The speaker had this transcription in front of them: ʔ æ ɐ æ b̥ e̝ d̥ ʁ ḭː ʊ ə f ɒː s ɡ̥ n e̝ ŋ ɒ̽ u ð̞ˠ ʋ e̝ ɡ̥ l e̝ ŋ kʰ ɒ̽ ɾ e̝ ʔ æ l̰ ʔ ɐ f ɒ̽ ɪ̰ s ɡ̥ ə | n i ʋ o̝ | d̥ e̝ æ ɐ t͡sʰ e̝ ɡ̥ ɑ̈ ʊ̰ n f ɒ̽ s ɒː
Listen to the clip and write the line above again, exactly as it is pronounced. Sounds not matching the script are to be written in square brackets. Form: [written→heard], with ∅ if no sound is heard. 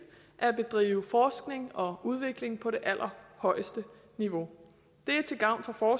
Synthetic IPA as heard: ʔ æ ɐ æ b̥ e̝ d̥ ʁ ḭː ʊ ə f ɒː s ɡ̥ n e̝ ŋ ɒ̽ u ð̞ˠ ʋ e̝ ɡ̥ l e̝ ŋ [kʰ→pʰ] ɒ̽ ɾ e̝ ʔ æ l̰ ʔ ɐ [f→h] ɒ̽ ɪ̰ s [ɡ̥→d̥] ə | n i ʋ o̝ | d̥ e̝ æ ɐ t͡sʰ e̝ ɡ̥ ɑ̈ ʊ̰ n f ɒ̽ [s→f] ɒː